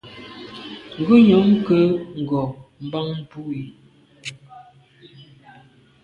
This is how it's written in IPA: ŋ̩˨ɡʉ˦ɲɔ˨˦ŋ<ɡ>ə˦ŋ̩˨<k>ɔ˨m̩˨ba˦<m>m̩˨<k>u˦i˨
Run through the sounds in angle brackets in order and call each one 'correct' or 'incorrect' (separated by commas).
incorrect, incorrect, incorrect, incorrect